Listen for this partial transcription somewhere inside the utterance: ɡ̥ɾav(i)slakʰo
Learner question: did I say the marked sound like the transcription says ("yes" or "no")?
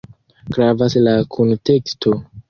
no